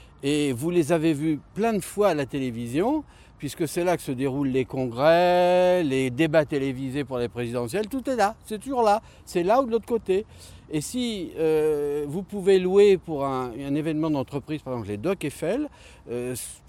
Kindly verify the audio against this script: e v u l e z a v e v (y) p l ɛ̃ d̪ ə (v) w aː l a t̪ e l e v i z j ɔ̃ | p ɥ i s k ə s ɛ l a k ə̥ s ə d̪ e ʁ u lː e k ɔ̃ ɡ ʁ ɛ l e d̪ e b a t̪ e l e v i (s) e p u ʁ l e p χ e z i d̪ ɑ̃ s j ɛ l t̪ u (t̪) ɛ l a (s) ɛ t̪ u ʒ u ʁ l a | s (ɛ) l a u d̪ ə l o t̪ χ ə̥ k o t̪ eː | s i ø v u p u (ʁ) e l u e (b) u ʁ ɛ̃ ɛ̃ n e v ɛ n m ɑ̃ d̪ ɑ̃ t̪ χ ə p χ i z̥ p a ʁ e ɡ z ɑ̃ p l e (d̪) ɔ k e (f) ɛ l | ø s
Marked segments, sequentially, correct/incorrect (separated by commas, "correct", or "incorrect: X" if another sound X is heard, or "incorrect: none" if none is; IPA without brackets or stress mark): correct, incorrect: f, incorrect: z, correct, correct, correct, incorrect: v, incorrect: p, correct, correct